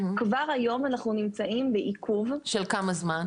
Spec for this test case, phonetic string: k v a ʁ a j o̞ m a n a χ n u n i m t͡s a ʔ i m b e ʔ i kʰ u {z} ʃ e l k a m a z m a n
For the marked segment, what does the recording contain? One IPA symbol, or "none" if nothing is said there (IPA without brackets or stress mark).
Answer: v